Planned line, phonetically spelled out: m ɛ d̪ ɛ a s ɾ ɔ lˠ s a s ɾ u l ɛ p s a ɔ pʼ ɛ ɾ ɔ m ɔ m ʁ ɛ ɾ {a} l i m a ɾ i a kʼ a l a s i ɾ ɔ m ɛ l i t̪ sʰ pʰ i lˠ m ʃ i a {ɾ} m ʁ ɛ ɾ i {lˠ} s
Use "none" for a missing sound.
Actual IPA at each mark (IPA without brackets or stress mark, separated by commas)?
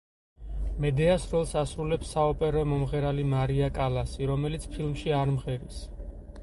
a, ɾ, none